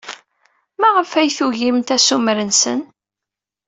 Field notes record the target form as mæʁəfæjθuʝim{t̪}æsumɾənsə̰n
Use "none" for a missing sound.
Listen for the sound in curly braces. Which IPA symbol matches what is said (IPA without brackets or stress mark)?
t̪